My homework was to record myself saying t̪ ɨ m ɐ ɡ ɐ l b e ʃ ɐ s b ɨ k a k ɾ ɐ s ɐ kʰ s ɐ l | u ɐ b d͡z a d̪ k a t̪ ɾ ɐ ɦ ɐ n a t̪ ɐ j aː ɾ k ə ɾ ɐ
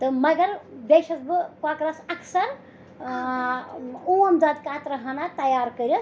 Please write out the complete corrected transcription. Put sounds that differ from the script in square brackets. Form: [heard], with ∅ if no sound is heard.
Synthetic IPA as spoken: t̪ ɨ m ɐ ɡ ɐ [ɾ] b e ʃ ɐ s b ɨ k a k ɾ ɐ s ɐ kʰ s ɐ [ɾ] | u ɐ [m] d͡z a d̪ k a t̪ ɾ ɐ ɦ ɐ n a t̪ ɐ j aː ɾ k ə ɾ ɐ